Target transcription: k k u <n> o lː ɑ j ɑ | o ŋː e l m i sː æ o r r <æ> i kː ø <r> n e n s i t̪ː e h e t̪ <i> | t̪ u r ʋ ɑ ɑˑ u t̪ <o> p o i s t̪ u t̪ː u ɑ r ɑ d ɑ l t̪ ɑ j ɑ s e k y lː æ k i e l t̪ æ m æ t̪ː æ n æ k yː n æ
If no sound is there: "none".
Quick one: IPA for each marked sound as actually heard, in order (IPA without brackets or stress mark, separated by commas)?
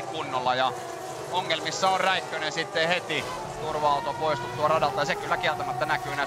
nː, æ, none, i, o